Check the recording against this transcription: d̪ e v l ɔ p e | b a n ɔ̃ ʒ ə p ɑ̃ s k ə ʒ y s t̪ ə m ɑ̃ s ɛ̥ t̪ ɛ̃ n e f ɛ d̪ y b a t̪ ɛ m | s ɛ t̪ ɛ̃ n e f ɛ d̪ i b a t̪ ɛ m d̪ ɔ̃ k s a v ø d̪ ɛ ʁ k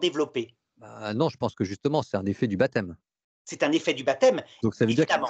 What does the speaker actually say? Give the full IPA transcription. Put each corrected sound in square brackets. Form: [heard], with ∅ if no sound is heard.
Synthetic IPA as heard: d̪ e v l ɔ p e | b a n ɔ̃ ʒ ə p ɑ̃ s k ə ʒ y s t̪ ə m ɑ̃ s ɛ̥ t̪ ɛ̃ n e f ɛ d̪ y b a t̪ ɛ m | s ɛ t̪ ɛ̃ n e f ɛ d̪ [y] b a t̪ ɛ m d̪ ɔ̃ k s a v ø d̪ [i] ʁ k